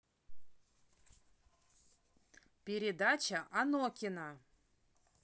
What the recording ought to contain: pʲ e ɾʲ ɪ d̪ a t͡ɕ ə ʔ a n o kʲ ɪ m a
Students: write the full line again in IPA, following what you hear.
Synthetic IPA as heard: pʲ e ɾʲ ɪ d̪ a t͡ɕ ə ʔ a n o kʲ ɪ n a